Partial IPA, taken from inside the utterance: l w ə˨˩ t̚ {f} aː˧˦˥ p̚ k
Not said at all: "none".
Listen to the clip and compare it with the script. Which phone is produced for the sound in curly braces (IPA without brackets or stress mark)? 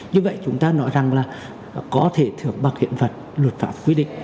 f